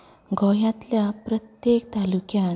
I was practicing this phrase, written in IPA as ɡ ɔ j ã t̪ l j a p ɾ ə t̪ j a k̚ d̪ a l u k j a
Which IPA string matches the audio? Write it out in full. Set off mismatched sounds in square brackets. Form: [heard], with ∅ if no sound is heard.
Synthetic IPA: ɡ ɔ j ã t̪ l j a p ɾ ə t̪ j [e] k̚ [t̪] a l u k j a